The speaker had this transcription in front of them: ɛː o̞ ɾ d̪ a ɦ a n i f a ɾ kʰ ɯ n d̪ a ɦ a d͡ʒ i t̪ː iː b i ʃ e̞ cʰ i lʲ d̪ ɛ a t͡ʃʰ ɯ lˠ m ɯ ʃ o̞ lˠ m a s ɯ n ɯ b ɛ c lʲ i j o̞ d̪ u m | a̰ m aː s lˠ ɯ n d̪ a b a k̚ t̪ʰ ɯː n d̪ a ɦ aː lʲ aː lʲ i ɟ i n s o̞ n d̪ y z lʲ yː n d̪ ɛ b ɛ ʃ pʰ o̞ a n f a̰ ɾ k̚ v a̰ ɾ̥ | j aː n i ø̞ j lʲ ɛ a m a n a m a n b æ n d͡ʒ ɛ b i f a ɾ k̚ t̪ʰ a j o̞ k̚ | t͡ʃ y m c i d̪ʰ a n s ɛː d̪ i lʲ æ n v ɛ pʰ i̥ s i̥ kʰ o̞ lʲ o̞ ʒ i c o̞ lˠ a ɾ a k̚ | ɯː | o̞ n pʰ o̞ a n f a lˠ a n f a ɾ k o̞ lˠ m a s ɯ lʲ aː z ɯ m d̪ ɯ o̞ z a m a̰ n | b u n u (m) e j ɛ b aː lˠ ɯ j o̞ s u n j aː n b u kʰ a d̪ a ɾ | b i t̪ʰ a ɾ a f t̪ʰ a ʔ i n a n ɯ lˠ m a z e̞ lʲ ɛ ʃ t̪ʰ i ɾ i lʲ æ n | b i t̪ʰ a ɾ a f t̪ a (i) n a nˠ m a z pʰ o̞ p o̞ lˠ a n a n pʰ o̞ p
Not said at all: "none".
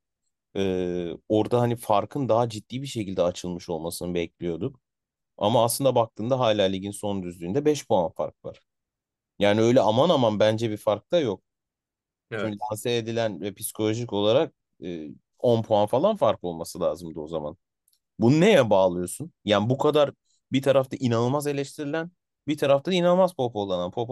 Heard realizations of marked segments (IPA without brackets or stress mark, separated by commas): n, i